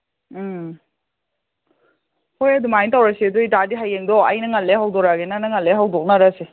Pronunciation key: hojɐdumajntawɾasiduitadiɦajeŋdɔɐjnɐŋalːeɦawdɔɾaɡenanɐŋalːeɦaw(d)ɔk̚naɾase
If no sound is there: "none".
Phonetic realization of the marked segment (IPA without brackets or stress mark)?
d